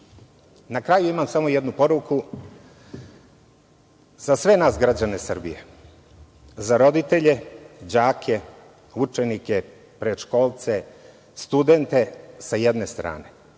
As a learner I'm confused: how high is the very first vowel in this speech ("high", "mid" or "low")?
low